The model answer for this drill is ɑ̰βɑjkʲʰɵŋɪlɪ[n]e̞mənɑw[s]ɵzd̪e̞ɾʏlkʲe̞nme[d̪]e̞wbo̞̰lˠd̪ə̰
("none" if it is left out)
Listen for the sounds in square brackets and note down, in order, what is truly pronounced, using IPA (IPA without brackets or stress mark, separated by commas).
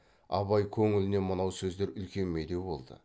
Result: n, s, d̪